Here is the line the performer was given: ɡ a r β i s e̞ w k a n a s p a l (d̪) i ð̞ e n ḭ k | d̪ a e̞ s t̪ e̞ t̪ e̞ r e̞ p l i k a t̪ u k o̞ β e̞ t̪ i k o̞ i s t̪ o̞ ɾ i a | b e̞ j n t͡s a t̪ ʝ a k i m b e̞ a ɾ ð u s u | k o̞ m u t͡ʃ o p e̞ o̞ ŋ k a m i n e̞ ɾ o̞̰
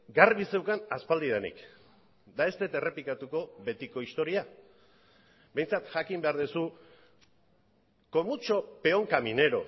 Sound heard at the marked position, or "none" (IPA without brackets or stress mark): d̪